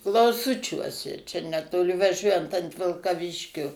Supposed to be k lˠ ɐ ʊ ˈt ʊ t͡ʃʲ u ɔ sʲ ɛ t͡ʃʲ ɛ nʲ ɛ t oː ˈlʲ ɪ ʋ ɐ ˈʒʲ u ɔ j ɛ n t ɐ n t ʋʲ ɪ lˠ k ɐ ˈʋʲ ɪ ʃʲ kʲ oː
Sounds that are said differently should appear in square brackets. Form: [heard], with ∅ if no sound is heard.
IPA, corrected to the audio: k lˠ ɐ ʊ [ˈs] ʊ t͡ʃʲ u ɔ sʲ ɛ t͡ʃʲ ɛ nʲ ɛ t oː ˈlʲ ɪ ʋ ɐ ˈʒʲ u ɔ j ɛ n t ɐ n t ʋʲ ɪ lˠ k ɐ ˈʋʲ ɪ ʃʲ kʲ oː